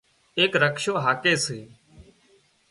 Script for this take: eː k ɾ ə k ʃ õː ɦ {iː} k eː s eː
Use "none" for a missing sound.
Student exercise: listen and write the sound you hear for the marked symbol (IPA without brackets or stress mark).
aː